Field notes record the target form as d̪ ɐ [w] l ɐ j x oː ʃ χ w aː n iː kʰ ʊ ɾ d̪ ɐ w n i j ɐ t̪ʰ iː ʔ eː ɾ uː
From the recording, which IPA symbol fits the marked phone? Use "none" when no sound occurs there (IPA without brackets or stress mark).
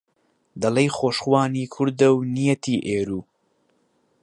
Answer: none